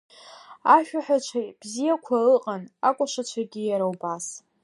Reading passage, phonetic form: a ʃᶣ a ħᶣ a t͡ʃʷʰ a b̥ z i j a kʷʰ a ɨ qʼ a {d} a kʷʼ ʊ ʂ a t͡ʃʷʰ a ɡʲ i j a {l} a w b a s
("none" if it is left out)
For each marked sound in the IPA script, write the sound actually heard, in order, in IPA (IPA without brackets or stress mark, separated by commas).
n, ɾ